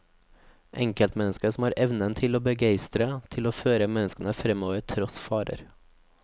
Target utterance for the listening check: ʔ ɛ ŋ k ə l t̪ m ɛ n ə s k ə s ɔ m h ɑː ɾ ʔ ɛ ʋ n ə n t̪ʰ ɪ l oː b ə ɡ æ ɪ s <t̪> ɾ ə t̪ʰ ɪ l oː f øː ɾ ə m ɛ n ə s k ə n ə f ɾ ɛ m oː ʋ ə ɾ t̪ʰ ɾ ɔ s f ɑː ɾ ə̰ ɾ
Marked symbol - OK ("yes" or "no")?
yes